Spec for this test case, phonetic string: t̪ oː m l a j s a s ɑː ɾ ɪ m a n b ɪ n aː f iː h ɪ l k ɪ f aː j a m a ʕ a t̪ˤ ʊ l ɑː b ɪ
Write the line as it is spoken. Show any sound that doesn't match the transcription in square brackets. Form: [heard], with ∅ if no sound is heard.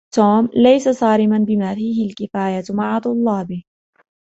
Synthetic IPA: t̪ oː m l a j s a s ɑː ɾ ɪ m a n b ɪ [m] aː f iː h ɪ l k ɪ f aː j a m a ʕ a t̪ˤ ʊ [lː] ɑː b ɪ